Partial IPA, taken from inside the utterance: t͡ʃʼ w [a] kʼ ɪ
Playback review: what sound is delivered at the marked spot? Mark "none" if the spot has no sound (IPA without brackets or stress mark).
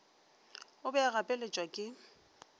a